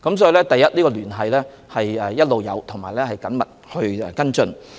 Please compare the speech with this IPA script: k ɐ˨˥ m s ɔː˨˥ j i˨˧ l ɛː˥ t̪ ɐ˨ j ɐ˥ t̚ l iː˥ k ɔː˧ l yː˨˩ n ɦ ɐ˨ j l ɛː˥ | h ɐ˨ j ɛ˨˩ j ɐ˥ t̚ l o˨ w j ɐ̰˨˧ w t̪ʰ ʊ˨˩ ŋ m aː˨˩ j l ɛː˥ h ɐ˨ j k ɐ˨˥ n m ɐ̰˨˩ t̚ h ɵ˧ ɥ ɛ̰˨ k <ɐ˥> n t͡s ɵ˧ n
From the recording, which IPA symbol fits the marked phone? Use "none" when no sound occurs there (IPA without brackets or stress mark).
ɐ˥